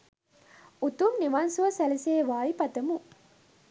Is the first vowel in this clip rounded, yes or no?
yes